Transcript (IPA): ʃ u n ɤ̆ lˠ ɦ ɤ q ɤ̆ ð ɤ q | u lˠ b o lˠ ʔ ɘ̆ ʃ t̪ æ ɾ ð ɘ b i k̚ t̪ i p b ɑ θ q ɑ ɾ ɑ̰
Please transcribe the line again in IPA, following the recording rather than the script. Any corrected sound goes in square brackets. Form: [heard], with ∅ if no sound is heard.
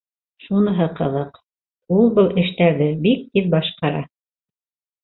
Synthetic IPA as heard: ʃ u n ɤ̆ [∅] ɦ ɤ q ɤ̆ ð ɤ q | u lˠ b [ɤ] lˠ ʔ ɘ̆ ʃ t̪ æ ɾ ð ɘ b i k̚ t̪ i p b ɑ [ʃ] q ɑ ɾ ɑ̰